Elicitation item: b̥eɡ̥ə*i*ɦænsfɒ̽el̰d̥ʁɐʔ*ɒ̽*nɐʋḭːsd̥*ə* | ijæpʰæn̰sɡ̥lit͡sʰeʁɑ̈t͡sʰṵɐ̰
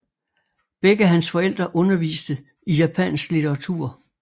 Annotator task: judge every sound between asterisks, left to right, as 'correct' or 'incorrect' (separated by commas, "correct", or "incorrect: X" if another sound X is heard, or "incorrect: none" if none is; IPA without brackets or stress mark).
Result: incorrect: æ, incorrect: ɔ̽, correct